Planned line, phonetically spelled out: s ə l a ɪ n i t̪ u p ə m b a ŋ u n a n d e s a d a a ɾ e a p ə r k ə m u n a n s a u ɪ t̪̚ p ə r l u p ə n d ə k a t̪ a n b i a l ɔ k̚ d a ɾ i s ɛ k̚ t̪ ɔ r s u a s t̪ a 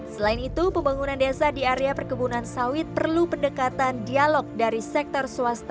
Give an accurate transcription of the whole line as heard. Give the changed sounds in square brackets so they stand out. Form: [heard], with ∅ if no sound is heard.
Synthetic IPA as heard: s ə l a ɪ n i t̪ u p ə m b a ŋ u n a n d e s a d [i] a ɾ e a p ə r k ə [b] u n a n s a [w] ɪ t̪̚ p ə r l u p ə n d ə k a t̪ a n [d] i a l ɔ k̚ d a ɾ i s ɛ k̚ t̪ ɔ r s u a s t̪ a